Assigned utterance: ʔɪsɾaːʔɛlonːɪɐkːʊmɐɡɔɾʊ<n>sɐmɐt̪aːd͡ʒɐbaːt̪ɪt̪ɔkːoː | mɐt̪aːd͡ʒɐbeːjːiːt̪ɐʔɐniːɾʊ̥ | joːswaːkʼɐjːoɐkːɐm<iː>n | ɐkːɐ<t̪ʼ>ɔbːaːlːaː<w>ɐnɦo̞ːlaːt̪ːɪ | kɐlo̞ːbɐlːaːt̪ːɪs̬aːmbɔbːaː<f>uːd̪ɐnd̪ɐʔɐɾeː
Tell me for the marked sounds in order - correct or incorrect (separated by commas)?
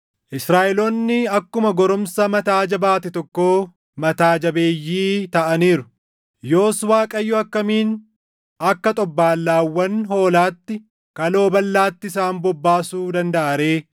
incorrect, correct, correct, incorrect, incorrect